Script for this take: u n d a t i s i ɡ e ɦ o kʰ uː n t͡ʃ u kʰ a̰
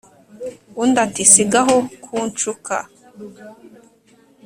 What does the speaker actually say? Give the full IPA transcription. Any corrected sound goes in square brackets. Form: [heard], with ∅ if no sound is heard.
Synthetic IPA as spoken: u n d a t i s i ɡ [a] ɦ o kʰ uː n t͡ʃ u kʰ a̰